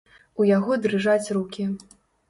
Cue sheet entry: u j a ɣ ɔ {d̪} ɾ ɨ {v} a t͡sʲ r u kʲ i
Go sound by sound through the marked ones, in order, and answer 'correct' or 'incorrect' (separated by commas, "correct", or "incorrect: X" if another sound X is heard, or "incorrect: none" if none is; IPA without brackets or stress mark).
correct, incorrect: ʐ